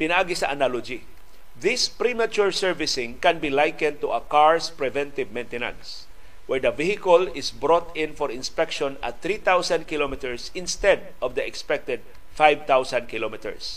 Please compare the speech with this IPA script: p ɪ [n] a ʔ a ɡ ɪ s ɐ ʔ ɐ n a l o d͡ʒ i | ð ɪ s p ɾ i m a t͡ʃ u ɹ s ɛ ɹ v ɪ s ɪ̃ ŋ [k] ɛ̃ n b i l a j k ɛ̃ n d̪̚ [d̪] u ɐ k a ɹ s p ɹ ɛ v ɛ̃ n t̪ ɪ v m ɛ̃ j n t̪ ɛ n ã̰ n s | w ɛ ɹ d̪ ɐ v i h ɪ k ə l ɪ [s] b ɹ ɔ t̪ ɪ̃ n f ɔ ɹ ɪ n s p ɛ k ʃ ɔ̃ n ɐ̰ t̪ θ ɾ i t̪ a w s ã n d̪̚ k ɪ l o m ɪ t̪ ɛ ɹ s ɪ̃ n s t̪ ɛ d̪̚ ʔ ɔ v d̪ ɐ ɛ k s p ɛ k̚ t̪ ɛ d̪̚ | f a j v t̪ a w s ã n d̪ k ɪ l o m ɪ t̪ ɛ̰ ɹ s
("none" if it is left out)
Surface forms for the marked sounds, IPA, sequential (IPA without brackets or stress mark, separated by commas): n, k, t̪, s